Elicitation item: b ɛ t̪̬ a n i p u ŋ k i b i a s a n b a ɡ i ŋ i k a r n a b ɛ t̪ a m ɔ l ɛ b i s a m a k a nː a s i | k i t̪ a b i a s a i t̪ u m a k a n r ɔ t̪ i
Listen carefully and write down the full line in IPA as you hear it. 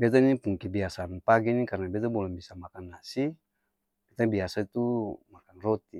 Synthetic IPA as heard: b ɛ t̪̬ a n i p u ŋ k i b i a s a n p a ɡ i n i k a r n a b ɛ t̪ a b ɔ l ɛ b i s a m a k a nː a s i | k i t̪ a b i a s a i t̪ u m a k a n r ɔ t̪ i